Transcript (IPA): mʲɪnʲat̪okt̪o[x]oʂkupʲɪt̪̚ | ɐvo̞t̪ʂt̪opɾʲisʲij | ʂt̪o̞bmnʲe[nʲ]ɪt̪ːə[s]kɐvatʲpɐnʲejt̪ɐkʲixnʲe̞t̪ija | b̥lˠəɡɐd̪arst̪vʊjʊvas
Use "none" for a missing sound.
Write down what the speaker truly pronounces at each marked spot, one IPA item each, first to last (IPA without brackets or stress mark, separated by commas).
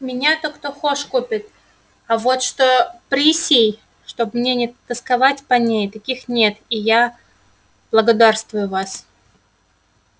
x, nʲ, s